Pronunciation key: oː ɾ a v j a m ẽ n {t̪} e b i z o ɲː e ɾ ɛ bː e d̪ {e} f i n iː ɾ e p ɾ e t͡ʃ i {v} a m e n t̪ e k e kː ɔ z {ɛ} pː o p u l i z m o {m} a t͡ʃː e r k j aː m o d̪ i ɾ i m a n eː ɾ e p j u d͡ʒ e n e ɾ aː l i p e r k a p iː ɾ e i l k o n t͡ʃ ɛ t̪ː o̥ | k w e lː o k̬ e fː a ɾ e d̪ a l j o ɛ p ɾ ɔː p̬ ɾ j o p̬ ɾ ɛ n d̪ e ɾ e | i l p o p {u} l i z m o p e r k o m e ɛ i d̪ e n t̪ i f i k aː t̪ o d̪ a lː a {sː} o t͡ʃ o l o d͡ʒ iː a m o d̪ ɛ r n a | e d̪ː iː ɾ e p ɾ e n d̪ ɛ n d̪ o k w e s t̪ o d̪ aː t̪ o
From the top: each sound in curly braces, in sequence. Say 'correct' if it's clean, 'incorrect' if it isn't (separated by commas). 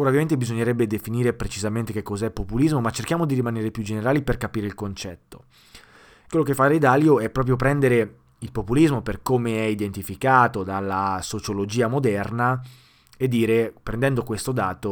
correct, correct, incorrect, correct, correct, correct, incorrect